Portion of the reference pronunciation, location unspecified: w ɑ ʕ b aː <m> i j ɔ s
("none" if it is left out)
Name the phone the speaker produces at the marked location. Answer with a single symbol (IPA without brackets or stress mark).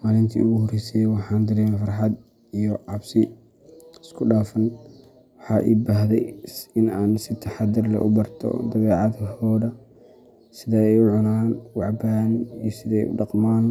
n